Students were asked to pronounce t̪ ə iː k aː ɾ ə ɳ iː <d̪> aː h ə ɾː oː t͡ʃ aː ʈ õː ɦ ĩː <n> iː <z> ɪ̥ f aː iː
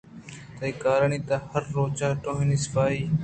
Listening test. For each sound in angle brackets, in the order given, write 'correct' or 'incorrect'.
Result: incorrect: t̪, correct, incorrect: s

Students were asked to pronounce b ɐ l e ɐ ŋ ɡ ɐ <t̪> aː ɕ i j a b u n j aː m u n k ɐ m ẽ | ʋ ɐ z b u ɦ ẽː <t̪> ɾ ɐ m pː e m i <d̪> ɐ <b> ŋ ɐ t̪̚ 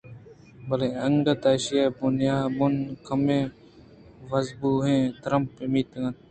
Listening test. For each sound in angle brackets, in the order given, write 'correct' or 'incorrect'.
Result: correct, correct, incorrect: t̪, incorrect: none

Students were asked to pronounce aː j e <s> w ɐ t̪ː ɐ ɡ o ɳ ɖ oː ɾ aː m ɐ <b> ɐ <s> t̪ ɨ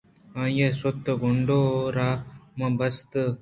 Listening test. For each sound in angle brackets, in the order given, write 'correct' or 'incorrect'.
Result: correct, correct, correct

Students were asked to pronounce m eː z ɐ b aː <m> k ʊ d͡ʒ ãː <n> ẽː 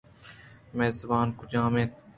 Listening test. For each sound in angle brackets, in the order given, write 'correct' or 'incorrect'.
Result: incorrect: n, incorrect: m

